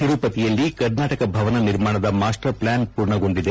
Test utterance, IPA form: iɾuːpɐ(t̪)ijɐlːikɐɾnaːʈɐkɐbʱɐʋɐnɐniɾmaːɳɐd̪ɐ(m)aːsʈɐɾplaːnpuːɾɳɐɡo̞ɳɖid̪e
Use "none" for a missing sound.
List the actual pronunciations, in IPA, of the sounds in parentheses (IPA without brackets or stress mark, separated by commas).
t̪, m